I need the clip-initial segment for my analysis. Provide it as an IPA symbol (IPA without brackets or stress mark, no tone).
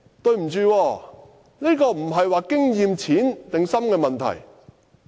t̪